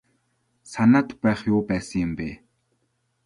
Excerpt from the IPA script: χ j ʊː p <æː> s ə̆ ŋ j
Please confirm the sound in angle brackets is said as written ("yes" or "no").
yes